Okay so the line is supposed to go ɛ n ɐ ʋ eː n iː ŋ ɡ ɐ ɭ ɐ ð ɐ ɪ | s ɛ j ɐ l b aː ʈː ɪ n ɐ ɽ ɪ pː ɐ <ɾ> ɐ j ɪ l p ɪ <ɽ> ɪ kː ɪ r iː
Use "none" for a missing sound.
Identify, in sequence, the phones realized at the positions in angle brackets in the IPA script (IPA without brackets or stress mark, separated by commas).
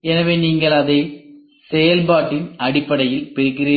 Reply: ɽ, ɾ